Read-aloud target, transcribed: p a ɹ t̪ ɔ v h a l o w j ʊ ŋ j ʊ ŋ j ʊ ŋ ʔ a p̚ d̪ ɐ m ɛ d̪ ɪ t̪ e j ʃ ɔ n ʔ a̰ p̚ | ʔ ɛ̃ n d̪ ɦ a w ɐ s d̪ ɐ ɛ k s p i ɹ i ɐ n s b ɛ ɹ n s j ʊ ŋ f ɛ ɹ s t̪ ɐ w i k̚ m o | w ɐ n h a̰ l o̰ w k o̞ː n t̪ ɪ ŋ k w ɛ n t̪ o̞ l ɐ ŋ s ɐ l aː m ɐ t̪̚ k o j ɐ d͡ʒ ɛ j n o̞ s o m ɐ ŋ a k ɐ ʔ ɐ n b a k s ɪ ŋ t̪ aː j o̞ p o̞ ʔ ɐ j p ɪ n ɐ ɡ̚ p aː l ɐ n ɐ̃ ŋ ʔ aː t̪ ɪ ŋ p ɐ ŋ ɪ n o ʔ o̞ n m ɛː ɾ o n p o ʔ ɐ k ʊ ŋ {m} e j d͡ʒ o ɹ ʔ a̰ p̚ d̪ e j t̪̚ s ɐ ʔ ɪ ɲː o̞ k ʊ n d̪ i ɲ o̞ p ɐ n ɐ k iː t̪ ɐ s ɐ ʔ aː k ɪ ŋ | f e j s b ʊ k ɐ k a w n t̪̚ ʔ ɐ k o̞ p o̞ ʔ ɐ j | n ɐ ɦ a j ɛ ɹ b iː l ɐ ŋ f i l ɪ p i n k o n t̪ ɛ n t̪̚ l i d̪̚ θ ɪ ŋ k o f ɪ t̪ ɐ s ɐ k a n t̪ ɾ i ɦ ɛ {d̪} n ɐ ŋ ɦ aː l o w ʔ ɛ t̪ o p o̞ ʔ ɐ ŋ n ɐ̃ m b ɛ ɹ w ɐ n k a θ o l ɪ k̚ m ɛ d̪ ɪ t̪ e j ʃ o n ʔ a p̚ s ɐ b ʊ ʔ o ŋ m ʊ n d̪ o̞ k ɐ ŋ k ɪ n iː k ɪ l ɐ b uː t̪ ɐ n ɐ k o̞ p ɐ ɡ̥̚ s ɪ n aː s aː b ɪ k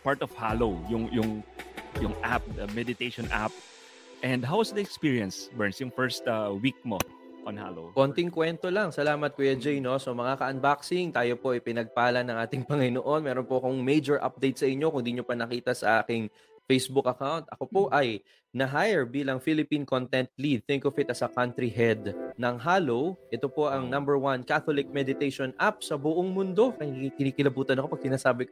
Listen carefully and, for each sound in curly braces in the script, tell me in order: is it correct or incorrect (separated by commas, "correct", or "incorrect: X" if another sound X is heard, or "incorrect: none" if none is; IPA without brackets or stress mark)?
correct, correct